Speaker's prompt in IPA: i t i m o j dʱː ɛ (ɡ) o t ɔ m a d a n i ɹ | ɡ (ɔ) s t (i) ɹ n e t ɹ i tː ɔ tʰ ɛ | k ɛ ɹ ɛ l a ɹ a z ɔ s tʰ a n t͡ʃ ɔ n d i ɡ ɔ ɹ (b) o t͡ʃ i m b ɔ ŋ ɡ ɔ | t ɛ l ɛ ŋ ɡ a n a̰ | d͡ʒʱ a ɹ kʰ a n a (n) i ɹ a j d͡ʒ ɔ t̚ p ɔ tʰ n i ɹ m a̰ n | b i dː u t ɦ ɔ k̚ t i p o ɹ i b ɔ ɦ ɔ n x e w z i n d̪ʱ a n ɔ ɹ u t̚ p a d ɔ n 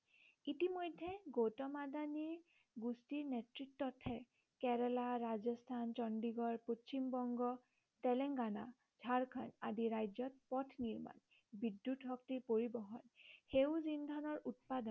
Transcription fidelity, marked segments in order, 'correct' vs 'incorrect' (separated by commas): correct, incorrect, correct, incorrect, incorrect